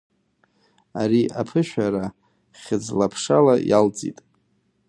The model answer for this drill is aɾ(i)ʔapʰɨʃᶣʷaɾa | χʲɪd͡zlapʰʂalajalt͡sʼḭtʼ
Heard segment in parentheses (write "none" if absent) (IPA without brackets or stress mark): i